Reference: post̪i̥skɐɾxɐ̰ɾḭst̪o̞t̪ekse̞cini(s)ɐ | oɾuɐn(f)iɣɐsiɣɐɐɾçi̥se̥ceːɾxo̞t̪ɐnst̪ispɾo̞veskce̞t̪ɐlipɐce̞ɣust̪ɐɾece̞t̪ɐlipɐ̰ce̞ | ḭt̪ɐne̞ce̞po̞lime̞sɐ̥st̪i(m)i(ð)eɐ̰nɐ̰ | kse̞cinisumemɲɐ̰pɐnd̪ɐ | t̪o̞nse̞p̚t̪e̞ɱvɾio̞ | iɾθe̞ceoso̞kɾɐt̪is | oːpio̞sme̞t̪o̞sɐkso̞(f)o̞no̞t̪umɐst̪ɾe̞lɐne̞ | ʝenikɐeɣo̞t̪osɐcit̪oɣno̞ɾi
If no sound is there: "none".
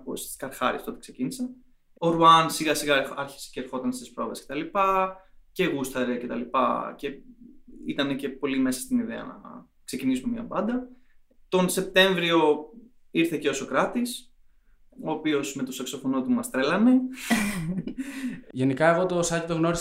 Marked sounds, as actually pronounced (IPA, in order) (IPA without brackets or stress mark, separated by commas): s, s, n, ð, f